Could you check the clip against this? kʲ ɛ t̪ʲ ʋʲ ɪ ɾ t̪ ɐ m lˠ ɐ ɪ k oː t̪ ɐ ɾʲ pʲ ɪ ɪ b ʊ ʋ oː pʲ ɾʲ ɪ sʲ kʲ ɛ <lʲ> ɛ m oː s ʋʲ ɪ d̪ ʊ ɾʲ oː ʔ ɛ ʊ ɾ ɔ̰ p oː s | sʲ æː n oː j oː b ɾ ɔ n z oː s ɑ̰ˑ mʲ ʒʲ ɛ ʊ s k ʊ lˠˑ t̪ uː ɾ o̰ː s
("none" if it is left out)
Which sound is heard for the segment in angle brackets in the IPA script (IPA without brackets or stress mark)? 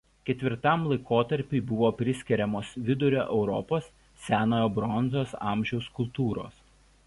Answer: ɾʲ